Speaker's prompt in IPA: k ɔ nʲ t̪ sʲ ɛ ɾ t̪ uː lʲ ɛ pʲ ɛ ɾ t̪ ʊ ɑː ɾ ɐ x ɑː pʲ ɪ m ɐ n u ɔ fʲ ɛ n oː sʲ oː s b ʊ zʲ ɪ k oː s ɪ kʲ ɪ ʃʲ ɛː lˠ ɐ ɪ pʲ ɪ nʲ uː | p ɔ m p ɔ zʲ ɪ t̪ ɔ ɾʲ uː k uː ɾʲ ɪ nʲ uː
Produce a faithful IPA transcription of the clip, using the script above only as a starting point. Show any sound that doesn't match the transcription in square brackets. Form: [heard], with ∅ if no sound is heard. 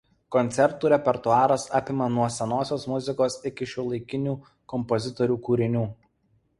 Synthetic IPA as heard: k ɔ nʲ t̪ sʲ ɛ ɾ t̪ uː [ɾʲ] ɛ pʲ ɛ ɾ t̪ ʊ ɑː ɾ ɐ [s] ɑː pʲ ɪ m ɐ n u ɔ [sʲ] ɛ n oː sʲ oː s [m] ʊ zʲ ɪ k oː s ɪ kʲ ɪ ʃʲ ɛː lˠ ɐ ɪ [kʲ] ɪ nʲ uː | [k] ɔ m p ɔ zʲ ɪ t̪ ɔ ɾʲ uː k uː ɾʲ ɪ nʲ uː